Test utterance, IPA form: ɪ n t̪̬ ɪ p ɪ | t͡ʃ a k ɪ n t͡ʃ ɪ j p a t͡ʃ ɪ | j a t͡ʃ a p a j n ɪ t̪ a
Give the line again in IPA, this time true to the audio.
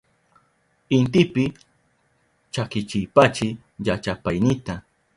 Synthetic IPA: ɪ n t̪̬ ɪ p ɪ | t͡ʃ a k ɪ t͡ʃ ɪ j p a t͡ʃ ɪ | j a t͡ʃ a p a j n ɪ t̪ a